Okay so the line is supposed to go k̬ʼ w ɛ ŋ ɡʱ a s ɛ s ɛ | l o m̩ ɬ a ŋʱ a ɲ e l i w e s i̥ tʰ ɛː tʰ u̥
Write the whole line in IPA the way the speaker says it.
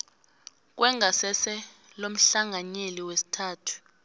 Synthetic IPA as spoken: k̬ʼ w ɛ ŋ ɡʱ a s ɛ s ɛ | l o m̩ ɬ a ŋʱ a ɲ e l i w e s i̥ tʰ aː tʰ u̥

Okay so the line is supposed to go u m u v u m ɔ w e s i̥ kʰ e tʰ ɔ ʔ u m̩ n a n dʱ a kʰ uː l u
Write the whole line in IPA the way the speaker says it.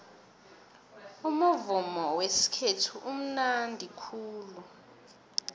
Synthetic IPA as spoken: u m u v u m ɔ w e s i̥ kʰ e tʰ u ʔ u m̩ n a n dʱ i kʰ uː l u

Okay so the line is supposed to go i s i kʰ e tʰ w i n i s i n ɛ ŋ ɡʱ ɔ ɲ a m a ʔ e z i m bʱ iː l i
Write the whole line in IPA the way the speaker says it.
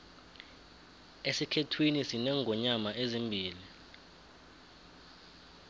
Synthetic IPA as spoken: e s i kʰ e tʰ w i n i s i n ɛ ŋ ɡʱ ɔ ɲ a m a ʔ e z i m bʱ iː l i

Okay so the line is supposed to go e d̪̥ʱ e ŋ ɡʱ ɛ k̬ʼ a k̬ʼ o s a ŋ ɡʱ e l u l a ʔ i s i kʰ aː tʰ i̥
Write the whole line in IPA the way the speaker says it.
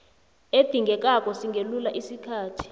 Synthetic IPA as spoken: e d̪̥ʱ i ŋ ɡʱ ɛ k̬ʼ a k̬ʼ ɔ s i ŋ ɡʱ e l u l a ʔ i s i kʰ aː tʰ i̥

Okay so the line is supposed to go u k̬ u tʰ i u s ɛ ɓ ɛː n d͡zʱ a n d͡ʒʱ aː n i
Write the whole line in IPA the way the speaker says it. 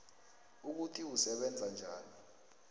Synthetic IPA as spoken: u k̬ u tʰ i u s ɛ ɓ ɛ n d͡zʱ a n d͡ʒʱ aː n i

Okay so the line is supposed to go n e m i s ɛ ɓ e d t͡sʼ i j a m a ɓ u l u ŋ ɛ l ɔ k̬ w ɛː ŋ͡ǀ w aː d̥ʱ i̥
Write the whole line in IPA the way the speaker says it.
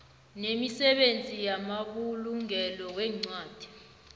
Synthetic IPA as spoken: n e m i s ɛ ɓ e n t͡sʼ i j a m a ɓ u l u ŋ ɛ l ɔ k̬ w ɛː ŋ͡ǀ w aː d̥ʱ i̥

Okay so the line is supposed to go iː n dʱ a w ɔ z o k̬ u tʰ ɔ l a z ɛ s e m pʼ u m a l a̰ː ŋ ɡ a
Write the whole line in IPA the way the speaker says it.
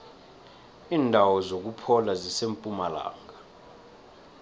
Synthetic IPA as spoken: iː n dʱ a w ɔ z o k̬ u pʰ ɔ l a z i s e m pʼ u m a l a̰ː ŋ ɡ a

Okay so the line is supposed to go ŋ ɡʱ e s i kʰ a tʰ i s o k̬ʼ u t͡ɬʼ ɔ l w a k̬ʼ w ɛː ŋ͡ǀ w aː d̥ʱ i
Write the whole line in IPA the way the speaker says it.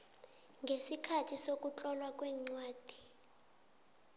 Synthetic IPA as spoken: ŋ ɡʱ e s i kʰ a tʰ i s o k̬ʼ u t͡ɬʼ ɔ l w a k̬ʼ w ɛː ŋ͡ǀ w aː d̥ʱ i

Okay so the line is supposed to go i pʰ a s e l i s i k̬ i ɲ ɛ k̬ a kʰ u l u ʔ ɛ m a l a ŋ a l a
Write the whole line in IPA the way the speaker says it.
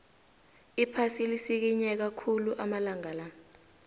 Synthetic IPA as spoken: i pʰ a s i l i s i k̬ i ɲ ɛ k̬ a kʰ u l u ʔ a m a l a ŋ a l a

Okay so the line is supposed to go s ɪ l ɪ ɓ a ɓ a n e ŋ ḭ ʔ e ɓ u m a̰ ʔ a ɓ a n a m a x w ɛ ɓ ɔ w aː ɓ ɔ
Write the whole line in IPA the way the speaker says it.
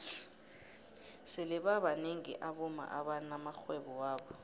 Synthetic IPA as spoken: s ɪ l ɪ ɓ a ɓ a n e ŋ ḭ ʔ a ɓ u m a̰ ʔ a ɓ a n a m a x w ɛ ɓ ɔ w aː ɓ ɔ

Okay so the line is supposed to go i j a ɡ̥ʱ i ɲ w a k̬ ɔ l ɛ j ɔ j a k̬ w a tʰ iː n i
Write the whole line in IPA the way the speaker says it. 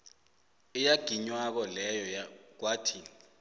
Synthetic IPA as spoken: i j a ɡ̥ʱ i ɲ w a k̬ ɔ l ɛ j ɔ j a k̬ w a tʰ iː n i

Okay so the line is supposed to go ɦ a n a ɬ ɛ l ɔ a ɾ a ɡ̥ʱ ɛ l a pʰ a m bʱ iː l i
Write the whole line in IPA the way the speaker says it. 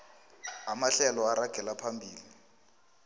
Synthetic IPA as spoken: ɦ a m a ɬ ɛ l ɔ a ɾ a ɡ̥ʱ ɛ l a pʰ a m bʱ iː l i

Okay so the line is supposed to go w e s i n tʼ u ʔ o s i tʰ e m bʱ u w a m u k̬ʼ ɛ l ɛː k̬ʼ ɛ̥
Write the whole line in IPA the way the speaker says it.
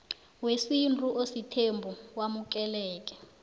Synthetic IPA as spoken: w e s i n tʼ u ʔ o s i tʰ e m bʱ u w a m u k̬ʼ ɛ l ɛː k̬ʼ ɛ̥

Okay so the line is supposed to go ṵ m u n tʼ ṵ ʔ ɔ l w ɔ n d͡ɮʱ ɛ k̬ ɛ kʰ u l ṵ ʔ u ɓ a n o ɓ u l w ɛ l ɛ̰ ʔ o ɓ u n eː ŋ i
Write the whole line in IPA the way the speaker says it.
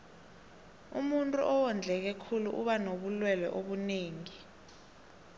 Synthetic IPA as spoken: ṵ m u n tʼ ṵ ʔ ɔ w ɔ n d͡ɮʱ ɛ k̬ ɛ kʰ u l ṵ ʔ u ɓ a n o ɓ u l w ɛ l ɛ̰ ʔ o ɓ u n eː ŋ i

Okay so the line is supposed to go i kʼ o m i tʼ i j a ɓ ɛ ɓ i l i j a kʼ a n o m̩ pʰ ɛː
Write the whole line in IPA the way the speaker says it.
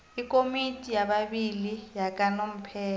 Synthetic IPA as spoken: i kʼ o m i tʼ i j a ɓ a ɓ i l i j a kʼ a n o m̩ pʰ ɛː

